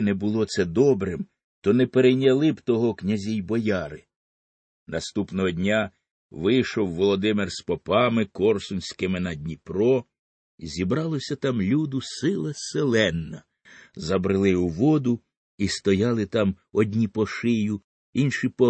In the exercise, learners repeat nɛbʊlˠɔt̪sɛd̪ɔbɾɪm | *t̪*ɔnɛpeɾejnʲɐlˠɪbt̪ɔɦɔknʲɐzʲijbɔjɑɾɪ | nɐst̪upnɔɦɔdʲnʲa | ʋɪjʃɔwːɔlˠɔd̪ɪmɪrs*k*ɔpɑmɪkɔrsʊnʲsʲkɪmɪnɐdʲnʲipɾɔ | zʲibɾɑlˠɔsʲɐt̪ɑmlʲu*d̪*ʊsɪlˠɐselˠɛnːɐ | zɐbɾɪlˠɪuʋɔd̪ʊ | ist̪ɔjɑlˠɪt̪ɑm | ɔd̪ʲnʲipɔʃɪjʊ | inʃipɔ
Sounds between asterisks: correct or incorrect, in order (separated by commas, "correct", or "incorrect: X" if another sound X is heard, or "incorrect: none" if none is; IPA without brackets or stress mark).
correct, incorrect: p, correct